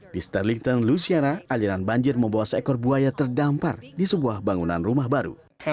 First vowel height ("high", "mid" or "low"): high